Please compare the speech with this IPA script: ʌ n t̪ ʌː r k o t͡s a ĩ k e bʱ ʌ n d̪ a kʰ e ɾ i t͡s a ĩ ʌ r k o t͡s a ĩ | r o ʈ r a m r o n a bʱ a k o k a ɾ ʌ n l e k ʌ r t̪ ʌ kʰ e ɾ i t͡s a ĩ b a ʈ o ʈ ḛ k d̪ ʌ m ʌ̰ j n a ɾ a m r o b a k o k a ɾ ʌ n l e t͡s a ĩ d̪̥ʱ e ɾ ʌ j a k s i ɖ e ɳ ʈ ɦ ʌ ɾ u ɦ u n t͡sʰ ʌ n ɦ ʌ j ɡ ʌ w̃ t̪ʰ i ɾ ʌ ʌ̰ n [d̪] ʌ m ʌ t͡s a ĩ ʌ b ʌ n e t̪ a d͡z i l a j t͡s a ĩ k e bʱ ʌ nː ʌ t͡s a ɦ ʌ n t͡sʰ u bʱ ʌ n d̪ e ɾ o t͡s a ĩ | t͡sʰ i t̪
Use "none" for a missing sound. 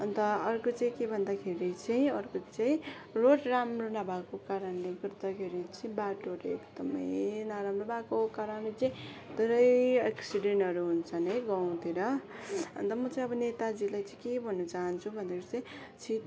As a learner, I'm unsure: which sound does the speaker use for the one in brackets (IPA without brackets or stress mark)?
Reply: t̪